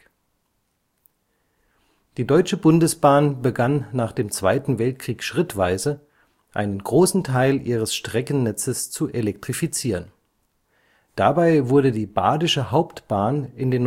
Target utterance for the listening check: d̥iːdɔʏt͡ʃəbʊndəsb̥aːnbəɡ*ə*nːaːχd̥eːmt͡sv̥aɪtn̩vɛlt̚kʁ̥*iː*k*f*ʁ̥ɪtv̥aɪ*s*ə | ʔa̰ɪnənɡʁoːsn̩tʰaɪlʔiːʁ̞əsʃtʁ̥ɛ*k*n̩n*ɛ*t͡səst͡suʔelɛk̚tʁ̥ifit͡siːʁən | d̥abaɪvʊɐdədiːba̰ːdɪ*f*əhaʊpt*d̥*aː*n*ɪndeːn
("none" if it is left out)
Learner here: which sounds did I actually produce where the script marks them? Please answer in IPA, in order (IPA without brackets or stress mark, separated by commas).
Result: a, iː, ʃ, z, k, ɛ, ʃ, b̥, n